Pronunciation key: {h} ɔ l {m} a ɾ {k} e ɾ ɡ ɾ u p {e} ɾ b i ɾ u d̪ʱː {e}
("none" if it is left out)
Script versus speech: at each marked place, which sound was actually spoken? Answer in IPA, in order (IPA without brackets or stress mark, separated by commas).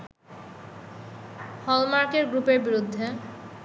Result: h, m, k, e, e